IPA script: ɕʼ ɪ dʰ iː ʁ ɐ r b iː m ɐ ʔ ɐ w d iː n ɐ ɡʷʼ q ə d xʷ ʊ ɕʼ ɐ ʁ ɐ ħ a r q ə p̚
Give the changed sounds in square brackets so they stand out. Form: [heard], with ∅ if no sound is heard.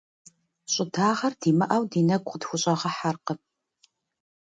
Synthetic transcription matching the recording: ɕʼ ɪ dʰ [aː] ʁ ɐ r [d] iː m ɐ ʔ ɐ w d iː n ɐ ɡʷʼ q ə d xʷ ʊ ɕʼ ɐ ʁ ɐ ħ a r q ə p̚